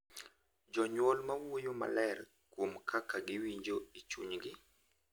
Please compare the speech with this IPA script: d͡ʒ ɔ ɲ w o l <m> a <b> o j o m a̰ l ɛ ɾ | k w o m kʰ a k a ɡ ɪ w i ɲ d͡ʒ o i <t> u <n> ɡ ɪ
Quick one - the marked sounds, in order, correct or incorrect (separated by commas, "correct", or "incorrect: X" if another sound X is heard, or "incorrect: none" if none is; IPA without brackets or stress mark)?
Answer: correct, incorrect: w, incorrect: t͡ʃ, incorrect: ɲ